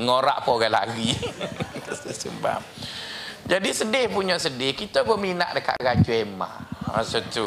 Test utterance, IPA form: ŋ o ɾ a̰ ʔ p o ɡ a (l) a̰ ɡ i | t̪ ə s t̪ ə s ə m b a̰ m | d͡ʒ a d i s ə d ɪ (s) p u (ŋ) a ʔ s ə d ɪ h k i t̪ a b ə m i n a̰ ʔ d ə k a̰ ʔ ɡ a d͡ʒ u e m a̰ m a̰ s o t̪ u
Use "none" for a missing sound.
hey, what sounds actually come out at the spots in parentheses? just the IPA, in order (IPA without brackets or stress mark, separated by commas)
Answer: l, h, ɲ